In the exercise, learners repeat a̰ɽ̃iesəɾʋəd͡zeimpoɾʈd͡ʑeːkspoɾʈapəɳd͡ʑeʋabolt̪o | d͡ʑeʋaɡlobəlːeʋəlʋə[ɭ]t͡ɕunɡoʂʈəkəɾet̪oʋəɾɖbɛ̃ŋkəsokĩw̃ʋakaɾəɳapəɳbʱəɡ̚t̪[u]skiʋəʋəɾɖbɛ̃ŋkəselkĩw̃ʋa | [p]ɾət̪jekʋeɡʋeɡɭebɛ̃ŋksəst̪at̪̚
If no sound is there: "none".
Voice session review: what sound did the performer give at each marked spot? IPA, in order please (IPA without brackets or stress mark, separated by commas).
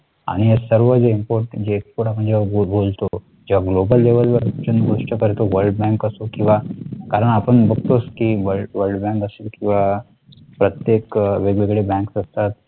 ɾ, o, p